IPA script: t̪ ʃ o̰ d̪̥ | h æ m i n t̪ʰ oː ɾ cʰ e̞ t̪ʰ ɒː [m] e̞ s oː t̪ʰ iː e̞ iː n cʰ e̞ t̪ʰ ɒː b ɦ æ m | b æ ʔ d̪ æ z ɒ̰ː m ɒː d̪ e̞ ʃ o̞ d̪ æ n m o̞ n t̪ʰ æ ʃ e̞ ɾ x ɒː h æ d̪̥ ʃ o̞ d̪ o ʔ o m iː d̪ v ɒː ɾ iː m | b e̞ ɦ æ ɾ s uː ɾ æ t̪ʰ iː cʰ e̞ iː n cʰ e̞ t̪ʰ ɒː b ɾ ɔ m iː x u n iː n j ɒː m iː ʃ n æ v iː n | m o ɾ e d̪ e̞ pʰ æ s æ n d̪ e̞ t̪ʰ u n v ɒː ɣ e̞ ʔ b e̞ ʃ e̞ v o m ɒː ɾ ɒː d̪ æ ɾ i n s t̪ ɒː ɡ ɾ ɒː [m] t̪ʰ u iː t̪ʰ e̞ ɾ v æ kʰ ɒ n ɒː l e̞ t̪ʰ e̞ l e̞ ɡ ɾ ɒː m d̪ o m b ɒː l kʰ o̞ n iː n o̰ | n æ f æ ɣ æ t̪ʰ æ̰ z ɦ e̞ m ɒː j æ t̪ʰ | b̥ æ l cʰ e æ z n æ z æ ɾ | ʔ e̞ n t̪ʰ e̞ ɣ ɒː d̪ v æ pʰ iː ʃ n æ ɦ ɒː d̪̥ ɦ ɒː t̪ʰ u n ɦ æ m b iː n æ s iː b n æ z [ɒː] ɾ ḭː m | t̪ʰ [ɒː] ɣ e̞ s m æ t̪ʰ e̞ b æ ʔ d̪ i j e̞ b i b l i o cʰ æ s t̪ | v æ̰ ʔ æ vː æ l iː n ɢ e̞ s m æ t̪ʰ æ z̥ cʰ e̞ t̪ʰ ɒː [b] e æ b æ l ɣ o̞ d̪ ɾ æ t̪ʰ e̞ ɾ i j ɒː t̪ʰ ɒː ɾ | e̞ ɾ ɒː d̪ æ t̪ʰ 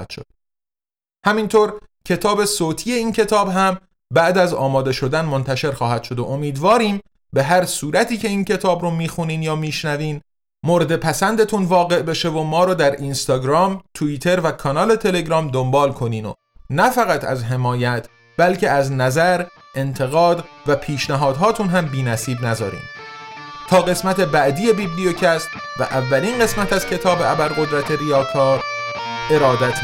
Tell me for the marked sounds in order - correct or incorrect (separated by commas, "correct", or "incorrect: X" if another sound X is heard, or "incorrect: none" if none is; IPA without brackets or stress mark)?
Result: incorrect: b, correct, correct, correct, correct